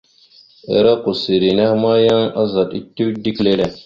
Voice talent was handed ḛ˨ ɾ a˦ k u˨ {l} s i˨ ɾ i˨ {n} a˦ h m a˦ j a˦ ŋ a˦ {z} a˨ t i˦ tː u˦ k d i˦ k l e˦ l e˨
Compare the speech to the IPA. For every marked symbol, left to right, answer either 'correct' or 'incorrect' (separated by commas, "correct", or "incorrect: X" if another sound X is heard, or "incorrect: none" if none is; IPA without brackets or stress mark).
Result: incorrect: none, correct, correct